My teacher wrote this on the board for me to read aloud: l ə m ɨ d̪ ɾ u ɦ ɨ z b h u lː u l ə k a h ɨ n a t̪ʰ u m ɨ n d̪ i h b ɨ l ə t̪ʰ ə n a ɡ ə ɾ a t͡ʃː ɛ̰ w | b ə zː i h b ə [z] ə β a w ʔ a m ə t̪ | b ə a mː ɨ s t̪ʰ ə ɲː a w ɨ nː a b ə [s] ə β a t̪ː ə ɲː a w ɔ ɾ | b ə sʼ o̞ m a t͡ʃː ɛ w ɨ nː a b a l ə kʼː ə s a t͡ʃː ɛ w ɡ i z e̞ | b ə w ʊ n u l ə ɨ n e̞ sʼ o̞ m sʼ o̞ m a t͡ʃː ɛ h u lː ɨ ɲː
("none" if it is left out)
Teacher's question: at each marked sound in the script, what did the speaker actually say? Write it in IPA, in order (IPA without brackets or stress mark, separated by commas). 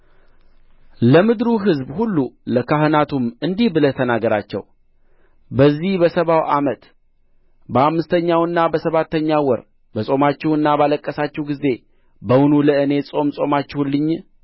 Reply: s, s